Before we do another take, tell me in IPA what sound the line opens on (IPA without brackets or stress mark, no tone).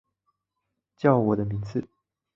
t͡ɕ